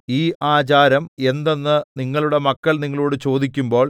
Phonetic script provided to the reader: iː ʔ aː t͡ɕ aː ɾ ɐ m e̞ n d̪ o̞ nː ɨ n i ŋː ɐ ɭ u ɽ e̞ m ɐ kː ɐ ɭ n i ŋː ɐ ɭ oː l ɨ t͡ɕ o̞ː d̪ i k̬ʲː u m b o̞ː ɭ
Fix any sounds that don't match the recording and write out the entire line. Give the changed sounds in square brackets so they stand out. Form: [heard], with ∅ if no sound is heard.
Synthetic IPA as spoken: iː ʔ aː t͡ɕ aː ɾ ɐ m e̞ n d̪ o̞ nː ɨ n i ŋː ɐ ɭ u ɽ e̞ m ɐ kː ɐ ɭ n i ŋː ɐ ɭ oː [ɽ] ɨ t͡ɕ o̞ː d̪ i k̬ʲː u m b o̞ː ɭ